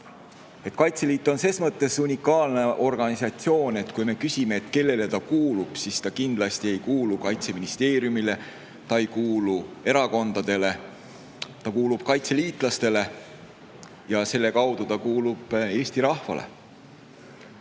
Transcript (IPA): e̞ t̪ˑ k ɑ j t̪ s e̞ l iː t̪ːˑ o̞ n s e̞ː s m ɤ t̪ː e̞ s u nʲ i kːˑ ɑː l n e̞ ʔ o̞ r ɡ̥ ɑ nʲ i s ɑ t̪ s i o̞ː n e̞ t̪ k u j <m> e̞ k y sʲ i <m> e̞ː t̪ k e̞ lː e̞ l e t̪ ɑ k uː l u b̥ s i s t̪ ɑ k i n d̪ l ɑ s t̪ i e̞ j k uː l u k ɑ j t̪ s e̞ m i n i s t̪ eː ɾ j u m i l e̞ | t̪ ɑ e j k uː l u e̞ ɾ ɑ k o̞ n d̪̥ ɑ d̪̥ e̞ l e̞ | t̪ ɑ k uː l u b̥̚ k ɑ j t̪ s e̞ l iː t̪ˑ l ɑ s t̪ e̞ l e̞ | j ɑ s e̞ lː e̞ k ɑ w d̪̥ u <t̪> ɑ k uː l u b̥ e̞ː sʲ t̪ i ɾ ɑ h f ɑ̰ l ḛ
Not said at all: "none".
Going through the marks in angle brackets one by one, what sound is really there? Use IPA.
m, m, t̪

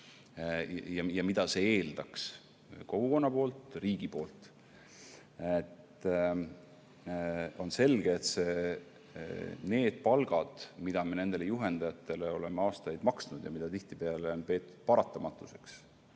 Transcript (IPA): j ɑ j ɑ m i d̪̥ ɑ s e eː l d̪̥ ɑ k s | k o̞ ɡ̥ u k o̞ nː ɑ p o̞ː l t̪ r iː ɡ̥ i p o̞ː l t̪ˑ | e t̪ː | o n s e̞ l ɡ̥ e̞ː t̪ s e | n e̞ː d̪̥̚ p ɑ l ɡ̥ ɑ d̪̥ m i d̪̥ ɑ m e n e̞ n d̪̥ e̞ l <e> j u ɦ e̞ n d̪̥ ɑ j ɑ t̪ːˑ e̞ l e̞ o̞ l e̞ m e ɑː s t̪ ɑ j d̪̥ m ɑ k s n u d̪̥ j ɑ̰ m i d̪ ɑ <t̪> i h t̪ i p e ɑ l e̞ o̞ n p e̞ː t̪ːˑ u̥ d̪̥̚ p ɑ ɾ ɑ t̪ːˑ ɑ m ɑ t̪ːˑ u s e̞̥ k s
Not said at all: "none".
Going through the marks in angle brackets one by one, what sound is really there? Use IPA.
e, t̪

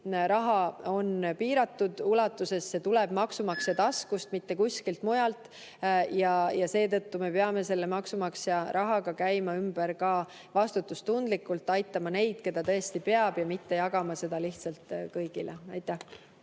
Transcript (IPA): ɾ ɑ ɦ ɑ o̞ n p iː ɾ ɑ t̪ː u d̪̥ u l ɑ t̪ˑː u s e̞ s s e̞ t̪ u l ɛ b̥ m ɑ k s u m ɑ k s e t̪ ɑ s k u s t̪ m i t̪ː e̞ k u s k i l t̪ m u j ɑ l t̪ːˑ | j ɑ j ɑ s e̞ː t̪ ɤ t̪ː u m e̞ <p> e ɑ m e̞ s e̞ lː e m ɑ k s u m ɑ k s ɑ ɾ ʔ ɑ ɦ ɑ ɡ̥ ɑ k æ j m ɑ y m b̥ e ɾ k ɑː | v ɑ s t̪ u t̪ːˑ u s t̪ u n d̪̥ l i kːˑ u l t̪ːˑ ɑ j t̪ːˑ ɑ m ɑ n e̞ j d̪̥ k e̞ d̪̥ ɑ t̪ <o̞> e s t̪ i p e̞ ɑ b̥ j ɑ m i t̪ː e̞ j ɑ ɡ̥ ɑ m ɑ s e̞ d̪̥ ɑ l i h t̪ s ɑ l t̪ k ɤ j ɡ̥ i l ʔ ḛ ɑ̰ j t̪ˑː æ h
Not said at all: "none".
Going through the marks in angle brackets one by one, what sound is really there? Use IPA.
p, ɤ̞

